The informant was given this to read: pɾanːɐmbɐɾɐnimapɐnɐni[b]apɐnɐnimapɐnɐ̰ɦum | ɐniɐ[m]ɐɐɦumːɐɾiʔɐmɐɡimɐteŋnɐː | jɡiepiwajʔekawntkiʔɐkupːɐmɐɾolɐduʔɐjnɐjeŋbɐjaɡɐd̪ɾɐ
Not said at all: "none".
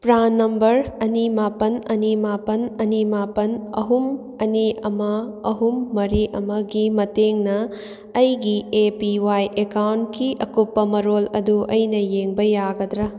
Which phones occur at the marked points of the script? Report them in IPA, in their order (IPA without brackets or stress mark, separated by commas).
m, m